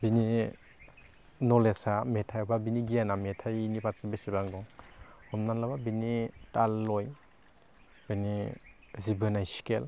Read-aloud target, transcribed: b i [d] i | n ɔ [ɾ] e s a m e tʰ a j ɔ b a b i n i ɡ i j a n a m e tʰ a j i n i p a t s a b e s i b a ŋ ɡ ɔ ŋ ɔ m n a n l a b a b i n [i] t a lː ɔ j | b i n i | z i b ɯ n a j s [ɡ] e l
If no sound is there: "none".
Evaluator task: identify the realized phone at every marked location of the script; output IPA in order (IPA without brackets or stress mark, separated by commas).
n, l, i, k